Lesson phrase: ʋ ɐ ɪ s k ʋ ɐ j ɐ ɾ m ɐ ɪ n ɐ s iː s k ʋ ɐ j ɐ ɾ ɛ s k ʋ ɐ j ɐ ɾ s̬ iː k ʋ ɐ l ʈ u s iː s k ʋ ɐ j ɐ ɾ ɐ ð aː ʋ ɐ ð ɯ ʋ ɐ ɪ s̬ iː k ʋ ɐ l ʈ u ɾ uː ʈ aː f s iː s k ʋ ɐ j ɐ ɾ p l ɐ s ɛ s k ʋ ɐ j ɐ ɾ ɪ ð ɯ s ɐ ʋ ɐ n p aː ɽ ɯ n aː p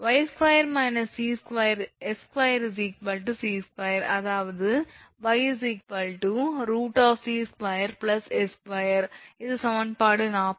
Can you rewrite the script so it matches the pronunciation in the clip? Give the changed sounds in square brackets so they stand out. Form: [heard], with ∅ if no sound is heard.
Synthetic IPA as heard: ʋ ɐ ɪ s k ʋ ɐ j ɐ ɾ m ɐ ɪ n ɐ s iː s k ʋ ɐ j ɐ ɾ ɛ s k ʋ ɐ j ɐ ɾ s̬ iː k ʋ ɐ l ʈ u s iː s k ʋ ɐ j ɐ ɾ ɐ ð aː ʋ ɐ ð ɯ ʋ ɐ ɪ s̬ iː k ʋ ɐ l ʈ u ɾ uː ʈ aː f s iː s k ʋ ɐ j ɐ ɾ p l ɐ s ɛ s k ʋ ɐ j ɐ ɾ ɪ ð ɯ s ɐ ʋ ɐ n p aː ɽ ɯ n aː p